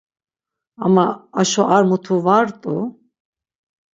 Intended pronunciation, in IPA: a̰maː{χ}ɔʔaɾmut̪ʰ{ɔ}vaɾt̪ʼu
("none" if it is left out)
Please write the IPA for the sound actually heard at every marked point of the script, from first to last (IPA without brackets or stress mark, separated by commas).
ʃ, u